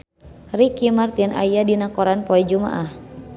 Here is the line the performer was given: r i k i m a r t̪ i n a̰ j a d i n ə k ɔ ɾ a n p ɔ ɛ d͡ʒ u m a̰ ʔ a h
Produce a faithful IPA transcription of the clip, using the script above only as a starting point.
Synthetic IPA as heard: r i k i m a r t̪ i n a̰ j a d i n a k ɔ ɾ a n p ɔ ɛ d͡ʒ u m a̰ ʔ a h